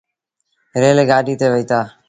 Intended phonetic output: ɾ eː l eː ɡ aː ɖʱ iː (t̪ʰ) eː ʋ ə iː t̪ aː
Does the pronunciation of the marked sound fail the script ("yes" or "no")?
yes